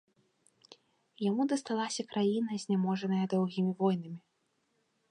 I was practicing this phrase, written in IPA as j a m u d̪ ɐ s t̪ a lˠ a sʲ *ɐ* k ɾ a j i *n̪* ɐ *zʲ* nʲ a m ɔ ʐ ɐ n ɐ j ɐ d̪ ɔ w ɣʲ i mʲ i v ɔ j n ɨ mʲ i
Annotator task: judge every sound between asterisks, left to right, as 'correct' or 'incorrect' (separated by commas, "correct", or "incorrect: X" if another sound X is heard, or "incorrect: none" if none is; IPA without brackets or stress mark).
correct, correct, correct